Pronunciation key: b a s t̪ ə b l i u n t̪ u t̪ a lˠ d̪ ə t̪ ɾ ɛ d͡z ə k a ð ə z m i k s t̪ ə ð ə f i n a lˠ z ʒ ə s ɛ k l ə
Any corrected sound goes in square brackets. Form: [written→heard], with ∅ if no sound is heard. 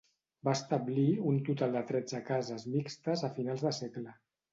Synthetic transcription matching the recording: b a s t̪ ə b l i u n t̪ u t̪ a lˠ d̪ ə t̪ ɾ ɛ d͡z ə k a [ð→z] ə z m i k s t̪ ə [ð→z] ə f i n a lˠ z [ʒ→ð] ə s ɛ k l ə